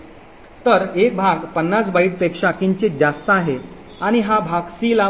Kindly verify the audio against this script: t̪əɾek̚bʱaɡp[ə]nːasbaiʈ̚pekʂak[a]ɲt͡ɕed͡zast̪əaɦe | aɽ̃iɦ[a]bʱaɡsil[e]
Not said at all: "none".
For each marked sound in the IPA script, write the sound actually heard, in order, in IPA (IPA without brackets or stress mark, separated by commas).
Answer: ə, i, a, a